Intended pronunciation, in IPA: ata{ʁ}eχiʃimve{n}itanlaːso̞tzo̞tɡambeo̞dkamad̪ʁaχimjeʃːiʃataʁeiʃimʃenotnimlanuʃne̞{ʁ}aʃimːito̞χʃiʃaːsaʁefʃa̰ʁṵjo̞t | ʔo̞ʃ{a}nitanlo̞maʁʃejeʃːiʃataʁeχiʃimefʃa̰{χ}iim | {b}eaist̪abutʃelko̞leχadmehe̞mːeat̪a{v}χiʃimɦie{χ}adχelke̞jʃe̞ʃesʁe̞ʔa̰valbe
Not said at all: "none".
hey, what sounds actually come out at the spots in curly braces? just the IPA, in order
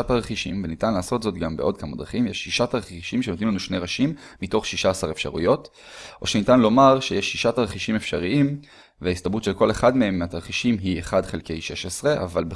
ʁ, n, ʁ, e, ʁ, v, ʁ, χ

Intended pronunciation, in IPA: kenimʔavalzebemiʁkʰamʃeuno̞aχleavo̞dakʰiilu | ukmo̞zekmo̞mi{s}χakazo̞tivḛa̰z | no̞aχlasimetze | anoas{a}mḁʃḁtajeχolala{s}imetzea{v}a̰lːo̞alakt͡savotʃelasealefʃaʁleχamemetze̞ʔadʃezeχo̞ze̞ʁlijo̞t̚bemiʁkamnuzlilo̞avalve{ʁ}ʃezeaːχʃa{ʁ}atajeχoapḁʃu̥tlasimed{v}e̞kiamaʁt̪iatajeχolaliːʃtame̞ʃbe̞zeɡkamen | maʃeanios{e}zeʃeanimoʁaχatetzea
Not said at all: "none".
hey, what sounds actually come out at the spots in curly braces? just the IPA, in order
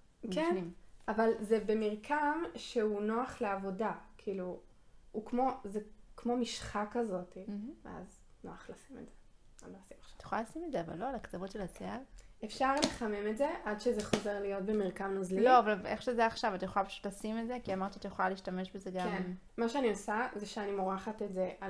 ʃ, i, s, v, χ, v, z, a

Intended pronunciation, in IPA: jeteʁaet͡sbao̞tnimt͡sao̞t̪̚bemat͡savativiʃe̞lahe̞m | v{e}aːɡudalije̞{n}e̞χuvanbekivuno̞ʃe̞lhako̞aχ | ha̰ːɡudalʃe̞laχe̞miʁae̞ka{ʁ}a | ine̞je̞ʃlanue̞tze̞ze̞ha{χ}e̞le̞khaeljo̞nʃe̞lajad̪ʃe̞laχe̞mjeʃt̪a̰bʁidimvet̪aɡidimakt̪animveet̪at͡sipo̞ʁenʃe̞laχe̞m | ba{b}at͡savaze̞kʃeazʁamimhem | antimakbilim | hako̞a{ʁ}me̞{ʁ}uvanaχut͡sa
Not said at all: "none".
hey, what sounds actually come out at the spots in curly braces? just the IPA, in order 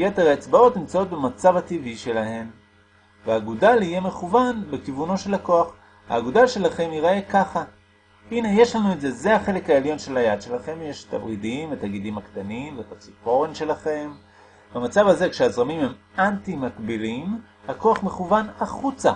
e, m, χ, χ, m, χ, χ

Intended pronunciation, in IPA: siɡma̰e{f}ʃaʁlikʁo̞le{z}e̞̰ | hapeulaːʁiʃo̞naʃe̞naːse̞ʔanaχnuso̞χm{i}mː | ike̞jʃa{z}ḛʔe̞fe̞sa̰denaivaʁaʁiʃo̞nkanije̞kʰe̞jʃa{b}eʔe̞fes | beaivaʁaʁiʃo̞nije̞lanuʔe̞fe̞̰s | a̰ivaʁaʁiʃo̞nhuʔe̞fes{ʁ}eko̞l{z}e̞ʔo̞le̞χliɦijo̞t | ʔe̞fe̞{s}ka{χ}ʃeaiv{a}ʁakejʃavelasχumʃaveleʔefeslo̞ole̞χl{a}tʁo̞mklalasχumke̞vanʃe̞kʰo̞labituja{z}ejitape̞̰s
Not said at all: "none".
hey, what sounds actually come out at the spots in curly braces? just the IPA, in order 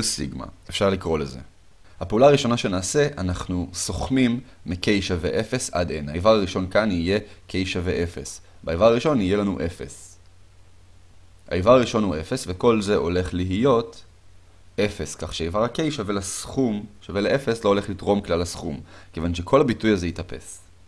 f, z, i, v, v, v, z, s, χ, a, i, z

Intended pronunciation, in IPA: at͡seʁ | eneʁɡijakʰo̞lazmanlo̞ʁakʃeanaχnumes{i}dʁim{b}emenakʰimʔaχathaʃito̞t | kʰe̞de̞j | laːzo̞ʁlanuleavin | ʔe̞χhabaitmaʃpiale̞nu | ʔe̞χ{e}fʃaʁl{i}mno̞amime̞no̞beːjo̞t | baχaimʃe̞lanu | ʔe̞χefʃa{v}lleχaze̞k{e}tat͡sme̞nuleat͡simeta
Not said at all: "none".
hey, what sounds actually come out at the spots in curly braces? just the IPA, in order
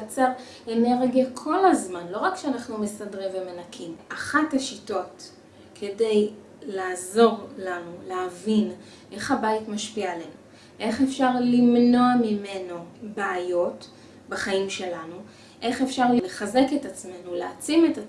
a, v, e, i, ʁ, e

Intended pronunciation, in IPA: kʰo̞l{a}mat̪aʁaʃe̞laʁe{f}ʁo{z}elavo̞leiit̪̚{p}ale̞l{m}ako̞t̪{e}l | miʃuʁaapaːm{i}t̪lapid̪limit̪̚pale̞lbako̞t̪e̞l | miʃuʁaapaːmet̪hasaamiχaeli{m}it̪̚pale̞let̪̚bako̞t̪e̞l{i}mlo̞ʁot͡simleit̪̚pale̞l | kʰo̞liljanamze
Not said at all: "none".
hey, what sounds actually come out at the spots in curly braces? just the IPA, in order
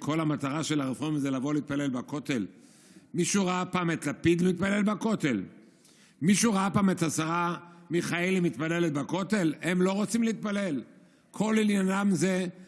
a, f, z, p, b, e, e, m, e

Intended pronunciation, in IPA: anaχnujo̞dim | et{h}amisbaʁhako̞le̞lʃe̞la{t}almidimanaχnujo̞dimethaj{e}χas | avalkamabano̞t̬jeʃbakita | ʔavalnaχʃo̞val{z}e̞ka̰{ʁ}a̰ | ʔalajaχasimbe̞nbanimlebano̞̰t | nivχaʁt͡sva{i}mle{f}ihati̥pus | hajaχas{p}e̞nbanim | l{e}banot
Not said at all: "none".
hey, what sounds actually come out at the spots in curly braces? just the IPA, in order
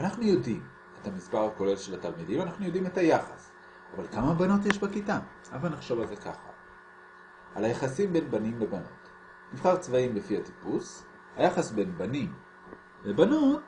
h, t, a, z, χ, i, f, b, e

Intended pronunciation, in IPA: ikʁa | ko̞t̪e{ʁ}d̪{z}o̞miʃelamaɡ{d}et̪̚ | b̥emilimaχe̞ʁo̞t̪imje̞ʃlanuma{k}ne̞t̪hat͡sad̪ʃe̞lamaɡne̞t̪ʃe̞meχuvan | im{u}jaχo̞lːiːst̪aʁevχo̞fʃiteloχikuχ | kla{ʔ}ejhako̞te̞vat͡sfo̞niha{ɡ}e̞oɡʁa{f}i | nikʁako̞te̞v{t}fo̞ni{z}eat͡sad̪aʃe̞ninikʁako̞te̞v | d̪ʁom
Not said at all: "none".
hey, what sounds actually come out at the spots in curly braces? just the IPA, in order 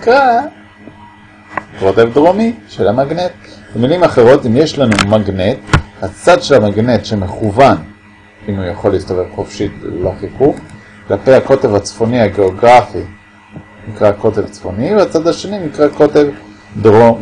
v, ʁ, n, ɡ, u, p, ɡ, f, t͡s, v

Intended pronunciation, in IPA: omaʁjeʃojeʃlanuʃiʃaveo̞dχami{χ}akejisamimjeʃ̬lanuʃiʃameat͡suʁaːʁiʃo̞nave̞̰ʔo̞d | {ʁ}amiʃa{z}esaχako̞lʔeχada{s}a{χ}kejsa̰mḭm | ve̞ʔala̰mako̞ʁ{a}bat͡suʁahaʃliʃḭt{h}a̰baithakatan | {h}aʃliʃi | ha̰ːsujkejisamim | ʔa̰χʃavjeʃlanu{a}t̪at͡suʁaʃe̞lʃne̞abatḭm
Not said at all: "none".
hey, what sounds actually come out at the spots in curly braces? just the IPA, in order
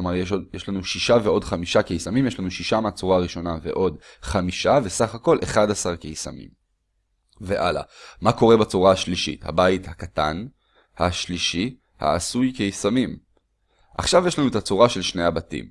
ʃ, χ, v, s, ʁ, e, h, h, e

